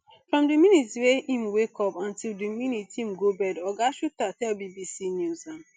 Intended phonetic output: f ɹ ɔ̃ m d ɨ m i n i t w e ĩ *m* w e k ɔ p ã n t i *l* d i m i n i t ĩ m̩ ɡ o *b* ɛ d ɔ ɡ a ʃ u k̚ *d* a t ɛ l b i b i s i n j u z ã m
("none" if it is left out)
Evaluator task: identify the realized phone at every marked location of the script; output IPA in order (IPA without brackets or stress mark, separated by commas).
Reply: m, l, b, t